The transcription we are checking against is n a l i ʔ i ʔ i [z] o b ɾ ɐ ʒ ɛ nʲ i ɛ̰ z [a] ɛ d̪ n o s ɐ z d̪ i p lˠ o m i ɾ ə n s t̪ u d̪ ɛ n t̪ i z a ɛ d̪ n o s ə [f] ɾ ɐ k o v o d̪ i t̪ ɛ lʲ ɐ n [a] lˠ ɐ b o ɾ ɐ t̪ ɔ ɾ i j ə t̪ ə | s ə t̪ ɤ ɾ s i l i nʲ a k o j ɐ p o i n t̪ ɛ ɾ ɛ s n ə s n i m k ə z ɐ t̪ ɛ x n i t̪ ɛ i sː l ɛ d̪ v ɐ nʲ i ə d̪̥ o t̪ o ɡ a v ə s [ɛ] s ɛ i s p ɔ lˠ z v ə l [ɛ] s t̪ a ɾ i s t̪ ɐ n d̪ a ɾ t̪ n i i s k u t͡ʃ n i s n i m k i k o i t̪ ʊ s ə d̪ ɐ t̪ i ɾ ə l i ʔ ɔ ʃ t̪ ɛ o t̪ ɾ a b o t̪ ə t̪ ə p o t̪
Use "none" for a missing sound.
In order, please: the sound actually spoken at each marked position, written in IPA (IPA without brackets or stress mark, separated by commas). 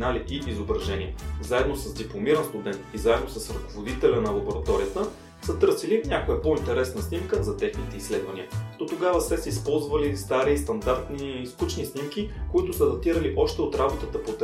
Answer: z, a, s, ɐ, ɛ, i